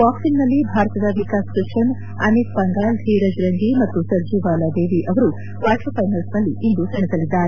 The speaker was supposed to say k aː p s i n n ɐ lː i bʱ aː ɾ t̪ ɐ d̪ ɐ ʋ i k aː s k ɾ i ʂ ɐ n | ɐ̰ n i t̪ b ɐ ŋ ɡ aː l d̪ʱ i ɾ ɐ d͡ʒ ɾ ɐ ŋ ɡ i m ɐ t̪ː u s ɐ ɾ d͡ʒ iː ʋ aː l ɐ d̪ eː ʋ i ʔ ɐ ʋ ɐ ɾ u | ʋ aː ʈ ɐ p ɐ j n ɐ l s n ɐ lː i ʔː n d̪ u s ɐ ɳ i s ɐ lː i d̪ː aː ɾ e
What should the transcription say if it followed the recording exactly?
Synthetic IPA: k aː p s i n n ɐ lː i bʱ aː ɾ t̪ ɐ d̪ ɐ ʋ i k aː s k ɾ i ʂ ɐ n | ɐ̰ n i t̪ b ɐ ŋ ɡ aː l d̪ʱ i ɾ ɐ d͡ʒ ɾ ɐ ŋ ɡ i m ɐ t̪ː u s ɐ ɾ d͡ʒ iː ʋ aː l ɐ d̪ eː ʋ i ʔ ɐ ʋ ɐ ɾ u | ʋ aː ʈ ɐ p ɐ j n ɐ l s n ɐ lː i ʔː n d̪ u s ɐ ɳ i s ɐ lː i d̪ː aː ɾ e

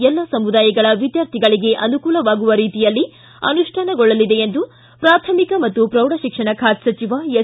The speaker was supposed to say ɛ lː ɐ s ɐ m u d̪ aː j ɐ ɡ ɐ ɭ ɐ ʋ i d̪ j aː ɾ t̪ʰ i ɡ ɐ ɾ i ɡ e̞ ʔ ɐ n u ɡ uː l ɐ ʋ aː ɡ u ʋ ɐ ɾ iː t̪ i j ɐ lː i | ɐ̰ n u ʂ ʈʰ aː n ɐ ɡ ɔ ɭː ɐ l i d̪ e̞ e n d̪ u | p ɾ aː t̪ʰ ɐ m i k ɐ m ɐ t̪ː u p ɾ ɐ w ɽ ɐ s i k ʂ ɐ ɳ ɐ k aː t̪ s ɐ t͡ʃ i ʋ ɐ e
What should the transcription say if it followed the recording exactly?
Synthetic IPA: ɛ lː ɐ s ɐ m u d̪ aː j ɐ ɡ ɐ ɭ ɐ ʋ i d̪ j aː ɾ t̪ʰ i ɡ ɐ ɭ i ɡ e̞ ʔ ɐ n u k uː l ɐ ʋ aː ɡ u ʋ ɐ ɾ iː t̪ i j ɐ lː i | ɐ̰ n u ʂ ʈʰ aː n ɐ ɡ ɔ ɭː ɐ l i d̪ e̞ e n d̪ u | p ɾ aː t̪ʰ ɐ m i k ɐ m ɐ t̪ː u p ɾ ɐ w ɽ ɐ ʃ i k ʂ ɐ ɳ ɐ kʰ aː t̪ s ɐ t͡ʃ i ʋ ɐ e

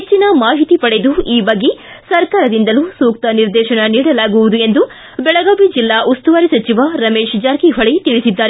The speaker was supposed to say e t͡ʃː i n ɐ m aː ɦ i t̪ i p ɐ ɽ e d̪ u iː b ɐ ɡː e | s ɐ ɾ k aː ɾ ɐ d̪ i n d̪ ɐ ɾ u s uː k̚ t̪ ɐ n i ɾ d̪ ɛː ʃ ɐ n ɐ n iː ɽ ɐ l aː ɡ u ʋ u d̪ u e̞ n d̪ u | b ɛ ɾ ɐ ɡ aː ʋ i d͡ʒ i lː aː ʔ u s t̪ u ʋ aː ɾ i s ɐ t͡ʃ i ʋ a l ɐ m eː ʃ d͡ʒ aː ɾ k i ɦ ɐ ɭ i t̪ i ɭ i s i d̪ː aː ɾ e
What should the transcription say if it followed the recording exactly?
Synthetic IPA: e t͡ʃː i n ɐ m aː ɦ i t̪ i p ɐ ɽ e d̪ u iː b ɐ ɡː e | s ɐ ɾ k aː ɾ ɐ d̪ i n d̪ ɐ l u s uː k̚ t̪ ɐ n i ɾ d̪ ɛː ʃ ɐ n ɐ n iː ɽ ɐ l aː ɡ u ʋ u d̪ u e̞ n d̪ u | b ɛ ɭ ɐ ɡ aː ʋ i d͡ʒ i lː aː ʔ u s t̪ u ʋ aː ɾ i s ɐ t͡ʃ i ʋ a ɾ ɐ m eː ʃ d͡ʒ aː ɾ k i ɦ ɐ ɭ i t̪ i ɭ i s i d̪ː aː ɾ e

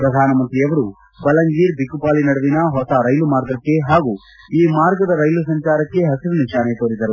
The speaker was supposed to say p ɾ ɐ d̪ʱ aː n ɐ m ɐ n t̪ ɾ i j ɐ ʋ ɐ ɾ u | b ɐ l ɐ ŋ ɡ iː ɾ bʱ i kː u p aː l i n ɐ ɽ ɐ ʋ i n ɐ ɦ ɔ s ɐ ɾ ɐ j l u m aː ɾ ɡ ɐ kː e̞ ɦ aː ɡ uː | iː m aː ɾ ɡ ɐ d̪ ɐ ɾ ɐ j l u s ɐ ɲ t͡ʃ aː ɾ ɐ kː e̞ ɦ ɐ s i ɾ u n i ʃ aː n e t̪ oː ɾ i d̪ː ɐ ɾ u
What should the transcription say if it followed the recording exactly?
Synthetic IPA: p ɾ ɐ d̪ʱ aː n ɐ m ɐ n t̪ ɾ i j ɐ ʋ ɐ ɾ u | b ɐ l ɐ ŋ ɡ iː ɾ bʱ i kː u p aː l i n ɐ ɽ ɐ ʋ i n ɐ ɦ ɔ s ɐ ɾ ɐ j l u m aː ɾ ɡ ɐ kː e̞ ɦ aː ɡ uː | iː m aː ɾ ɡ ɐ d̪ ɐ ɾ ɐ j l u s ɐ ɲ t͡ʃ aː ɾ ɐ kː e̞ ɦ ɐ s i ɾ u n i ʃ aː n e t̪ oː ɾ i d̪ ɐ ɾ u

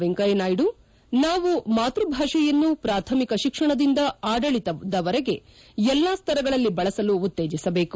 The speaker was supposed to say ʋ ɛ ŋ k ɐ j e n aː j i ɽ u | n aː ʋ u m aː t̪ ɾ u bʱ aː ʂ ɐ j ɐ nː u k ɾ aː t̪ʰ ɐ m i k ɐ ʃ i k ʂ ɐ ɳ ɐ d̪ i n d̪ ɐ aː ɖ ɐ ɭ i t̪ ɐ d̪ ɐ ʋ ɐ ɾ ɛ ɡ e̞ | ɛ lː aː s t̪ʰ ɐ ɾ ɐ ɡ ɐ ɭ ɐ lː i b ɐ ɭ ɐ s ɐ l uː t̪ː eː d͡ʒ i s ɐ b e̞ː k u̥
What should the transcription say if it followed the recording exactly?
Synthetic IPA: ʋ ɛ ŋ k ɐ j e n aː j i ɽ u | n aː ʋ u m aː t̪ ɾ u bʱ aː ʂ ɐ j ɐ nː u p ɾ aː t̪ʰ ɐ m i k ɐ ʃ i k ʂ ɐ ɳ ɐ d̪ i n d̪ ɐ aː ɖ ɐ ɭ i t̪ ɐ d̪ ɐ ʋ ɐ ɾ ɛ ɡ e̞ | ɛ lː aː s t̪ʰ ɐ ɾ ɐ ɡ ɐ ɭ ɐ lː i b ɐ ɭ ɐ s ɐ l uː t̪ː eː d͡ʒ i s ɐ b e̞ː k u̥

